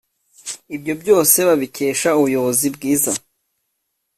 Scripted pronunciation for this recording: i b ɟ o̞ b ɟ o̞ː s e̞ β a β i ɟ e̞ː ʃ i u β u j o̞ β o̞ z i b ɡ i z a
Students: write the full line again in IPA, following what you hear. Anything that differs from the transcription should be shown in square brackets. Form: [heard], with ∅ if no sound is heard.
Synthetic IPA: i b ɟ o̞ b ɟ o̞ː s e̞ β a β i [c] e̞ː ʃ [a] u β u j o̞ β o̞ z i b ɡ [iː] z a